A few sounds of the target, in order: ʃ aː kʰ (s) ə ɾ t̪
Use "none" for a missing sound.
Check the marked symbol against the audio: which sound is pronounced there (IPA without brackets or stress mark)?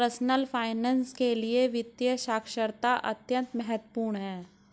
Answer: ʃ